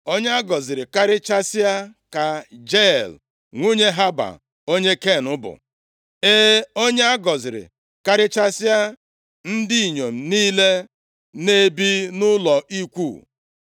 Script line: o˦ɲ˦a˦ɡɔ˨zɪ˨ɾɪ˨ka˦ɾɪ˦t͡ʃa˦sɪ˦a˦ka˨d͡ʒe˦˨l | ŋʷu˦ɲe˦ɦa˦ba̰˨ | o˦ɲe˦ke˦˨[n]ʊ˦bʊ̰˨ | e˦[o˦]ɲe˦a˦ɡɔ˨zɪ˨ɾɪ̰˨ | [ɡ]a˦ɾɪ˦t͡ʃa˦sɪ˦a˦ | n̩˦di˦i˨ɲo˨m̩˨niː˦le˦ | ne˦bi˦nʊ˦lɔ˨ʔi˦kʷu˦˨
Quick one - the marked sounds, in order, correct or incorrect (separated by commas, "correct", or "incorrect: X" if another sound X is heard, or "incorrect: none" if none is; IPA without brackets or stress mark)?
correct, correct, incorrect: k